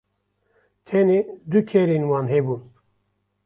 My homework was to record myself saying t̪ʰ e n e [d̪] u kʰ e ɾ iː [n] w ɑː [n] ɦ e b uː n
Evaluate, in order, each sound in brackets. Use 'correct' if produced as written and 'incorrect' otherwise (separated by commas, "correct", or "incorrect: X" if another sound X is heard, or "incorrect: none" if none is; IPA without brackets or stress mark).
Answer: correct, correct, correct